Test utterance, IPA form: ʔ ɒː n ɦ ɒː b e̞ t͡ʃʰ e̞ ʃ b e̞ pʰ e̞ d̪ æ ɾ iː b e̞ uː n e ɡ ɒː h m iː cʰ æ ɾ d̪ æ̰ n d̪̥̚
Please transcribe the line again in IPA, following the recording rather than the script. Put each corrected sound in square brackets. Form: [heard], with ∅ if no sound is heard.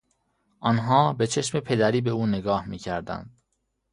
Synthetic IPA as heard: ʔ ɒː n ɦ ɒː b e̞ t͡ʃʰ e̞ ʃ [m] e̞ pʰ e̞ d̪ æ ɾ iː b e̞ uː n e ɡ ɒː h m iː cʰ æ ɾ d̪ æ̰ n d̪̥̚